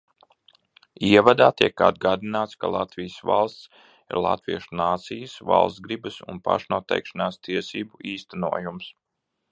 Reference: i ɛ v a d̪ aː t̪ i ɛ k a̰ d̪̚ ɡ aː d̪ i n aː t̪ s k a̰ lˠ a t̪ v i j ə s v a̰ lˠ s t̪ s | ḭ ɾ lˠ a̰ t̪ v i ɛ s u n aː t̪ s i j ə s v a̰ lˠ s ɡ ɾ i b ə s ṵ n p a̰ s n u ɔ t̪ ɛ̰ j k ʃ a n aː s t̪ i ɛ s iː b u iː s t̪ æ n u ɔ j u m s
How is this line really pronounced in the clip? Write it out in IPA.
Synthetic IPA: i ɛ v a d̪ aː t̪ i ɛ k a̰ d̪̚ ɡ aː d̪ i n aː t̪ s k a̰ lˠ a t̪ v i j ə s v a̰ lˠ s t̪ s | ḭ ɾ lˠ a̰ t̪ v i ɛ ʃ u n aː t̪ s i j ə s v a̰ lˠ s ɡ ɾ i b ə s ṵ n p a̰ ʃ n u ɔ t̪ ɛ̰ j k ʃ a n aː s t̪ i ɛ s iː b u iː s t̪ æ n u ɔ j u m s